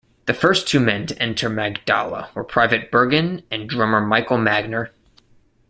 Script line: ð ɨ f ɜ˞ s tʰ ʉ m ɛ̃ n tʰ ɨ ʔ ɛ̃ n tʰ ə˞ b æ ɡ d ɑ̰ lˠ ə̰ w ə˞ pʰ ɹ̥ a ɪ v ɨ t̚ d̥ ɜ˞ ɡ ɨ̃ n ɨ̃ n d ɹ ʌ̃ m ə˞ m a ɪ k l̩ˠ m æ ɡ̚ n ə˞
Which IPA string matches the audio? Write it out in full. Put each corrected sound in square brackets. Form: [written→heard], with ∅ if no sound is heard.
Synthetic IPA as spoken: ð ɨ f ɜ˞ s tʰ ʉ m ɛ̃ n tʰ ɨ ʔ ɛ̃ n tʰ ə˞ [b→m] æ ɡ d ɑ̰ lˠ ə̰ w ə˞ pʰ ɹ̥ a ɪ v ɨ t̚ [d̥→b̥] ɜ˞ ɡ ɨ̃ n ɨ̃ n d ɹ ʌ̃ m ə˞ m a ɪ k l̩ˠ m æ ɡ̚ n ə˞